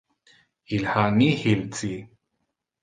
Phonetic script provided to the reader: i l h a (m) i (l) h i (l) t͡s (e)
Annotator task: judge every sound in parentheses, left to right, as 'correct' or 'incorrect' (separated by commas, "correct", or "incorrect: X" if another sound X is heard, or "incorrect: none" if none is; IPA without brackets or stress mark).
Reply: incorrect: n, incorrect: none, correct, incorrect: i